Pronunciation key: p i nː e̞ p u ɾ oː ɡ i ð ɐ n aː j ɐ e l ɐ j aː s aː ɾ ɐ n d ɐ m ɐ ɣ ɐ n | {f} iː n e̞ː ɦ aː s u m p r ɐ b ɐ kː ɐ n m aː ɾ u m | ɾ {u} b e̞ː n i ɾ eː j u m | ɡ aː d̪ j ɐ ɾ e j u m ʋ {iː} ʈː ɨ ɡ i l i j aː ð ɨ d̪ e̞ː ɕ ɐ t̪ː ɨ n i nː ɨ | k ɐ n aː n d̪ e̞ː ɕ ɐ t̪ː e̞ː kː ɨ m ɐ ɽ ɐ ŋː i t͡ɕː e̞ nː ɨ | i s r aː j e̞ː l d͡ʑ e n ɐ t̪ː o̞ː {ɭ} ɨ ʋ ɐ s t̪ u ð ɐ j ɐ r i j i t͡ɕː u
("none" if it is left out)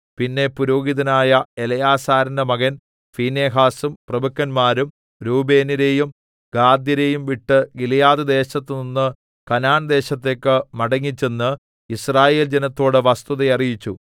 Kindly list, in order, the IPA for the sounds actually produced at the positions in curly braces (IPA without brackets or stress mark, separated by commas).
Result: f, uː, i, ɽ